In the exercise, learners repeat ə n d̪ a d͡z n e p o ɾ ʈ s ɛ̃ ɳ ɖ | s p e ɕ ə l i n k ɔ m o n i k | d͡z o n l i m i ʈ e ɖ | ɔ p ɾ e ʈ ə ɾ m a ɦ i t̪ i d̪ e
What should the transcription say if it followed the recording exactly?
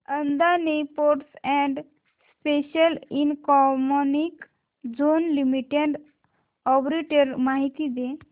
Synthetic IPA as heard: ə n d̪ a n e p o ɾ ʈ s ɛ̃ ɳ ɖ | s p e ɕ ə l i n k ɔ m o n i k | d͡z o n l i m i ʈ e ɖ | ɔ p ɾ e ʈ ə ɾ m a ɦ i t̪ i d̪ e